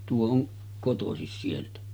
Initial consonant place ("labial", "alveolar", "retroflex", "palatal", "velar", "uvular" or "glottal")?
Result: alveolar